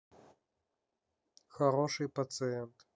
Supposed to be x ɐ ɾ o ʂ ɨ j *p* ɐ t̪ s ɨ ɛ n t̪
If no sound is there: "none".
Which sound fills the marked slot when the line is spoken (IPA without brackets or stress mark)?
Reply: p